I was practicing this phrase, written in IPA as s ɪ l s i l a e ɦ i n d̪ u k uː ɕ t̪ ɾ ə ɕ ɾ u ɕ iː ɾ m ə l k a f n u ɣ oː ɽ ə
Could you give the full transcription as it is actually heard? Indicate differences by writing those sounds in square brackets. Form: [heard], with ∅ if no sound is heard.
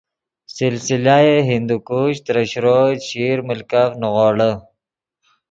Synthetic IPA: s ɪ l s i l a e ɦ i n d̪ u k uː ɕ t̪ ɾ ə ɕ ɾ [o] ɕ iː ɾ m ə l k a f n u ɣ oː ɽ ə

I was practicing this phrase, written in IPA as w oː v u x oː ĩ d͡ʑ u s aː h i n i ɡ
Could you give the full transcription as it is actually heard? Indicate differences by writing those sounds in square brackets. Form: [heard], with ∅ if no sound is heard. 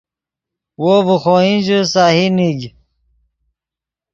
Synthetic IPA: w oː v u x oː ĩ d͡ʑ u s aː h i n i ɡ

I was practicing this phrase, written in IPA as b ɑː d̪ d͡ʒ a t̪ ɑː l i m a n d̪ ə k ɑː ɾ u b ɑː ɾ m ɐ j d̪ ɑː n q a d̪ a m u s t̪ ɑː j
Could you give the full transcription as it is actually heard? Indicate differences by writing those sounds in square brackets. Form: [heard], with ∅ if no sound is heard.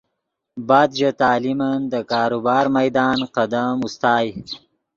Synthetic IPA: b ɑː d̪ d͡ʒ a t̪ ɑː l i m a n d̪ ə k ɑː ɾ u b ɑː ɾ m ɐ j d̪ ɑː n q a d̪ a m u s t̪ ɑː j

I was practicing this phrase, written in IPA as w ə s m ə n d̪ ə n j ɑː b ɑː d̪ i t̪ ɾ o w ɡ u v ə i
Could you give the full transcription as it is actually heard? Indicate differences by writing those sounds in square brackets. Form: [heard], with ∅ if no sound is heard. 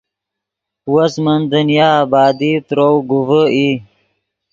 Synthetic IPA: w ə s m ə n d̪ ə n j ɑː b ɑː d̪ i t̪ ɾ o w ɡ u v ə i

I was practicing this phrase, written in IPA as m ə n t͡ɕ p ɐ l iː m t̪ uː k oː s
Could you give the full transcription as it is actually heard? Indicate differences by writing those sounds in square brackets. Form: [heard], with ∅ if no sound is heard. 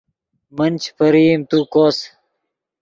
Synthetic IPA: m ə n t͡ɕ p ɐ [ɾ] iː m t̪ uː k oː s

